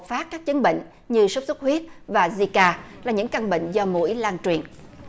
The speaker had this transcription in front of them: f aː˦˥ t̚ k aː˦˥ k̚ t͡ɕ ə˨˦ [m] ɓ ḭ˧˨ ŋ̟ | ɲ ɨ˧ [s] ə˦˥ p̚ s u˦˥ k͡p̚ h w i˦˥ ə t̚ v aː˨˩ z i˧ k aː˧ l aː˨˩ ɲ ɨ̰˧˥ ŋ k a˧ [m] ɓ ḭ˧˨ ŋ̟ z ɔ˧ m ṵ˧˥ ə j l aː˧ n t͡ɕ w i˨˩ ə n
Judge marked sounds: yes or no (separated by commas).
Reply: no, yes, no